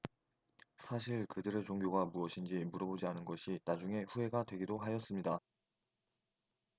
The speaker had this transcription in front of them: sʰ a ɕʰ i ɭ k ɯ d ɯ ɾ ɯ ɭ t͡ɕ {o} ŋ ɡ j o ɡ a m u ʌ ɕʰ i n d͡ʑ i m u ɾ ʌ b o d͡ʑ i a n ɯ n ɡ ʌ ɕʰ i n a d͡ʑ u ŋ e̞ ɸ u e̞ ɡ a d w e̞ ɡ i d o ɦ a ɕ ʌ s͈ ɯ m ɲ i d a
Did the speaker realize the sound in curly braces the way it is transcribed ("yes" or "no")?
yes